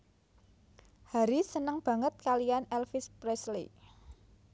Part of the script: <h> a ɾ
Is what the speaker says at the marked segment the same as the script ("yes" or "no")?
yes